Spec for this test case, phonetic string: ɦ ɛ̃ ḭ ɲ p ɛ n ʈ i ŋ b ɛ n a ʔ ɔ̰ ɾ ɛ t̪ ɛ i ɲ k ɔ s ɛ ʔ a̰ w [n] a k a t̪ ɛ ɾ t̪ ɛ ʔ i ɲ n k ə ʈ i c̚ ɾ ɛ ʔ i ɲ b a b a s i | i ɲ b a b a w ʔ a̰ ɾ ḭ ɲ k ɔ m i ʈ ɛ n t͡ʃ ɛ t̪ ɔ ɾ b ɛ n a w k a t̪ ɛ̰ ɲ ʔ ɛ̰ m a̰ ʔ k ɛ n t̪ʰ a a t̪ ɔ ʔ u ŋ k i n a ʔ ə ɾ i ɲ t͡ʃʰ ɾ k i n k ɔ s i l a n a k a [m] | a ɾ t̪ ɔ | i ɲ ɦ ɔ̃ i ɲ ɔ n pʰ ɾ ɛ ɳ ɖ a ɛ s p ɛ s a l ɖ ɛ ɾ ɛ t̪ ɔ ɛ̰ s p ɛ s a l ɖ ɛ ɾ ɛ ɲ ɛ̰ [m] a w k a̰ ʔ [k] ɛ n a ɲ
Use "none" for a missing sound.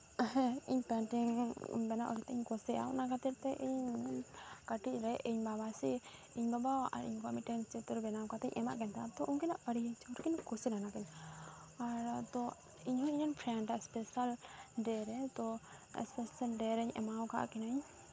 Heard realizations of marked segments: n, ɲ, m, k

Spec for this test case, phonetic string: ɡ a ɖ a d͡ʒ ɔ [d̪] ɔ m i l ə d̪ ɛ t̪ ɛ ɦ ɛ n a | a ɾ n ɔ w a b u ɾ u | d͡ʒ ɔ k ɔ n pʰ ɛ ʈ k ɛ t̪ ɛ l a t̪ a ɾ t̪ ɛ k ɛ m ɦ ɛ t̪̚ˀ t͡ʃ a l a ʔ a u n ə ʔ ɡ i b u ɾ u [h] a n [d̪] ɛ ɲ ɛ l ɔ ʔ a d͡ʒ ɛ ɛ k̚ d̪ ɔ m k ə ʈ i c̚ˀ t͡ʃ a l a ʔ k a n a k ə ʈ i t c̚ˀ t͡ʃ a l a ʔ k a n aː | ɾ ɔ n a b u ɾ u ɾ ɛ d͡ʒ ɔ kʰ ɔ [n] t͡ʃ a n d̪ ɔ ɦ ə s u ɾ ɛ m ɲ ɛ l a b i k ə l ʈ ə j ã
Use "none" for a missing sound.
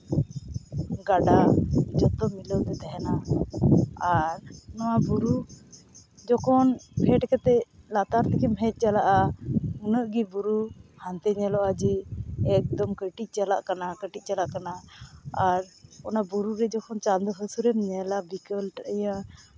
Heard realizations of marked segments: t̪, h, t̪, n

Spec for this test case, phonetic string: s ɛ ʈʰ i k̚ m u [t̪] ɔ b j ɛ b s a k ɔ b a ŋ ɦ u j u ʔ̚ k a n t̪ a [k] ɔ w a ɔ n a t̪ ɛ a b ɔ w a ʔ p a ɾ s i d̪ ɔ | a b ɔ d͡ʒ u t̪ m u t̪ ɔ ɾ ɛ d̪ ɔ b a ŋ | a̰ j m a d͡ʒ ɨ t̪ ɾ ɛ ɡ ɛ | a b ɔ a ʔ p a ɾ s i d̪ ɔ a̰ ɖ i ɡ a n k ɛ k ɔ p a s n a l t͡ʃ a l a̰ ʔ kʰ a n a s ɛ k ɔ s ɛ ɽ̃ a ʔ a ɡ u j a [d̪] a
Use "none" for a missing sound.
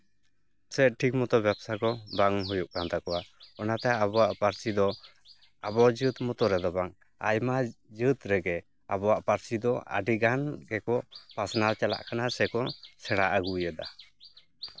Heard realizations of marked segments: t̪, k, d̪

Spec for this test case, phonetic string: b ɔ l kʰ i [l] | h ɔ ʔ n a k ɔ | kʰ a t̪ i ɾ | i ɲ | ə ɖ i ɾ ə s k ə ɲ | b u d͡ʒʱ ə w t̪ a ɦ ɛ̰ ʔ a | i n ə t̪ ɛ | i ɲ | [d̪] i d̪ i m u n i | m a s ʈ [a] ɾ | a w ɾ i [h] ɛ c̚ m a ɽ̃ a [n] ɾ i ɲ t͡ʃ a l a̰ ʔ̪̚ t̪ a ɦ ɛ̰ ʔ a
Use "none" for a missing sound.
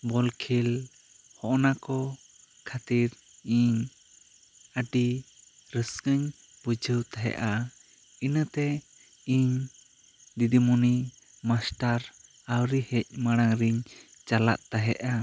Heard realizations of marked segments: l, d̪, a, h, ŋ

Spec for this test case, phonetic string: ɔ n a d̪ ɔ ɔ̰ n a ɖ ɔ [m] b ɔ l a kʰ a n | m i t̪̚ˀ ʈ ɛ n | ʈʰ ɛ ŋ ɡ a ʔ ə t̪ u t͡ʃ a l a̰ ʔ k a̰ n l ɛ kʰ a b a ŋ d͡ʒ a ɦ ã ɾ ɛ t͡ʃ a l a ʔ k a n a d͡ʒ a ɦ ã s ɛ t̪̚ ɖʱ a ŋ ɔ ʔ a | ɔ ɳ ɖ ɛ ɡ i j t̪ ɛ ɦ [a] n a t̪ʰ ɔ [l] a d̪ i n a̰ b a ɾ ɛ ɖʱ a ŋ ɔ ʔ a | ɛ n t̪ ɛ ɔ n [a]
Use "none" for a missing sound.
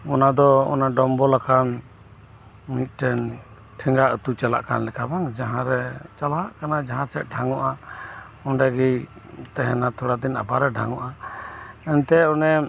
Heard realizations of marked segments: m, ɛ, ɽ, ɛ

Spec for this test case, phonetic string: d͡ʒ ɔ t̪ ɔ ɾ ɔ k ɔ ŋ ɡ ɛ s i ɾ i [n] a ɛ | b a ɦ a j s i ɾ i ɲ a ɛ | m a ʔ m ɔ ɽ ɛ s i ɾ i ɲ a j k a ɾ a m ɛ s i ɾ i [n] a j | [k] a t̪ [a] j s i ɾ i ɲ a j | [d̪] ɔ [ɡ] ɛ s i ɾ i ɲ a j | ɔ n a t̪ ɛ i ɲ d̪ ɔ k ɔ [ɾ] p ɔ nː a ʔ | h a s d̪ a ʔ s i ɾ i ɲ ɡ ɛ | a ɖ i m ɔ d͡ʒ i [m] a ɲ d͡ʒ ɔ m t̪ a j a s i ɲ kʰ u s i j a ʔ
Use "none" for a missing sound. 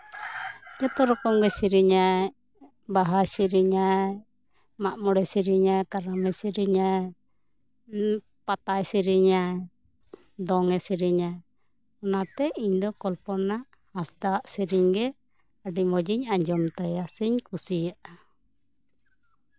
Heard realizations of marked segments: ɲ, ɲ, p, a, d̪, ŋ, l, ɲ

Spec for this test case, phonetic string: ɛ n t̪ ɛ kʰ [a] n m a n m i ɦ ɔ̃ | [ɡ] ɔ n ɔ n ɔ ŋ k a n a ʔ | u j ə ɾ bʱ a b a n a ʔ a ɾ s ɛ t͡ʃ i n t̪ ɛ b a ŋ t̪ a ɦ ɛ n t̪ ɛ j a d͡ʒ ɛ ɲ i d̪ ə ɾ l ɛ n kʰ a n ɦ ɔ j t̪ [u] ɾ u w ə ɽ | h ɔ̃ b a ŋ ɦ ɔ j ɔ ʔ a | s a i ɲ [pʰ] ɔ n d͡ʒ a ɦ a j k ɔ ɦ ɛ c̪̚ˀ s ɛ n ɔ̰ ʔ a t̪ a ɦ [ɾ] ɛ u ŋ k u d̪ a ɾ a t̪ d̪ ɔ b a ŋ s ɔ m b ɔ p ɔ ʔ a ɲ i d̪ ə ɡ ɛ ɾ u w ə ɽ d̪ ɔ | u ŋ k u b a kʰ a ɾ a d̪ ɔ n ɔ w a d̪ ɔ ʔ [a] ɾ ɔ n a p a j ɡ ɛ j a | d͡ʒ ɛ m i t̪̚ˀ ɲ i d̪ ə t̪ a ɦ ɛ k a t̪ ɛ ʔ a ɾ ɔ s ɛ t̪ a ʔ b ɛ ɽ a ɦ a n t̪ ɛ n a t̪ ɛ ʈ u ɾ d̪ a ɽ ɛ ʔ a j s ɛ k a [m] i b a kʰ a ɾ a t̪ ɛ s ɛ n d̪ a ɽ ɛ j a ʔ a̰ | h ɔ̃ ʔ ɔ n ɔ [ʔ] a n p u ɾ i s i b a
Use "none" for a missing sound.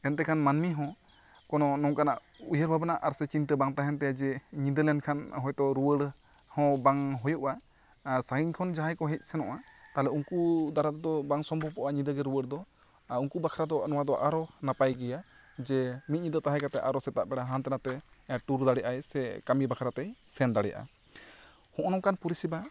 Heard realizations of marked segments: a, k, ɔ, kʰ, l, a, m, k

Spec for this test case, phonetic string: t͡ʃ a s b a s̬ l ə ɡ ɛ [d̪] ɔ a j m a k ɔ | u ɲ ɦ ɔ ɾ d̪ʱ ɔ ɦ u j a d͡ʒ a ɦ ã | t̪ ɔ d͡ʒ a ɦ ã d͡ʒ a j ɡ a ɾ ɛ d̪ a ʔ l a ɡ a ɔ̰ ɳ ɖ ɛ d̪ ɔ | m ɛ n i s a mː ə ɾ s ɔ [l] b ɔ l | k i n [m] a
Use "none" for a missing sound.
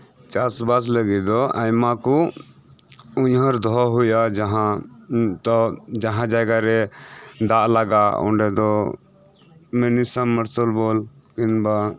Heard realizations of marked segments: d̪, l, b

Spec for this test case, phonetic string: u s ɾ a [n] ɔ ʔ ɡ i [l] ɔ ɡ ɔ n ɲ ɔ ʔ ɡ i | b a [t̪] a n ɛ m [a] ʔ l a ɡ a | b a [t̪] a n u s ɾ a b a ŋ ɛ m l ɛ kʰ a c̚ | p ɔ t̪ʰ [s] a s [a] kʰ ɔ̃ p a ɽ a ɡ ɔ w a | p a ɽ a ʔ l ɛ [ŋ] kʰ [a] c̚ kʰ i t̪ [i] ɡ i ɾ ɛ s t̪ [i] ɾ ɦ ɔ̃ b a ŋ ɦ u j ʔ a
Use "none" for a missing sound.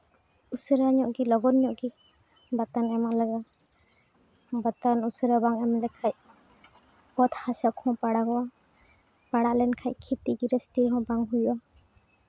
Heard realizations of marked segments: ɲ, l, t̪, a, t̪, h, a, n, a, i, i

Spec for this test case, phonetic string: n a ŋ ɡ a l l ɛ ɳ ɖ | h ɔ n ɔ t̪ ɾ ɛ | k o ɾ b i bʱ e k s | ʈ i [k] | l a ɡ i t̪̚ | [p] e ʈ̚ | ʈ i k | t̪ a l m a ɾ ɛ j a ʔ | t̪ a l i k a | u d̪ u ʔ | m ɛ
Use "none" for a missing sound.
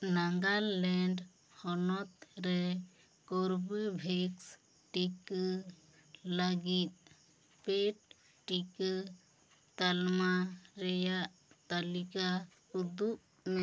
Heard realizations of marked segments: k, p

